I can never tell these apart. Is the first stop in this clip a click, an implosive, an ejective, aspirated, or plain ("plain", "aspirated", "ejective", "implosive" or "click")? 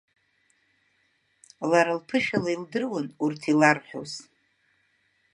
aspirated